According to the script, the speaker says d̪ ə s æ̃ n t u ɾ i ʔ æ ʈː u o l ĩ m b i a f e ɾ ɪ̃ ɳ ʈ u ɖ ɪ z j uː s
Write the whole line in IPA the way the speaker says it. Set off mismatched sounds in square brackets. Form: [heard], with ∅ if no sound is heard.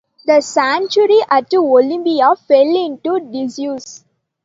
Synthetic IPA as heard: d̪ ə s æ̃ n [t͡ʃ] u ɾ i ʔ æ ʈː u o l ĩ m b i a f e [l] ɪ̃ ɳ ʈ u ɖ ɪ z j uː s